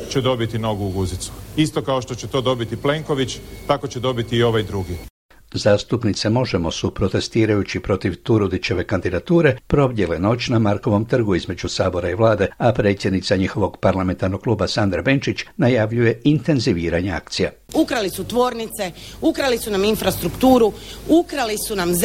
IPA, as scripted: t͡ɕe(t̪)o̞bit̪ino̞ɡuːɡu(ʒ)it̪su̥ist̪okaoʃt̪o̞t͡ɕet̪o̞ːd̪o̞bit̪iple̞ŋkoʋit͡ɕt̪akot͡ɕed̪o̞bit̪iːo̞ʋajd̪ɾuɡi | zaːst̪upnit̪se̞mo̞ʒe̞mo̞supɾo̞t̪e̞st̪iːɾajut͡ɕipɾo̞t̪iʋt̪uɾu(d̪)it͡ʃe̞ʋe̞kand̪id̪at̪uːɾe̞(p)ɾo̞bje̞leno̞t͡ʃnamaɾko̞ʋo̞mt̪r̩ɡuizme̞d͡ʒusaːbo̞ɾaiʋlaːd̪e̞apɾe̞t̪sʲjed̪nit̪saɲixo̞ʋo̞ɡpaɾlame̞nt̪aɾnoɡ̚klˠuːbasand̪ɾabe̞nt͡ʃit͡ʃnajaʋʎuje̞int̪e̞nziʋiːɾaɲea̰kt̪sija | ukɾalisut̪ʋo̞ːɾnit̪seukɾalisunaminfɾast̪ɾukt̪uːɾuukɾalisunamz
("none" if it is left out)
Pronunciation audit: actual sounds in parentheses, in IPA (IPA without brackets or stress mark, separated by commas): d̪, z, d̪, p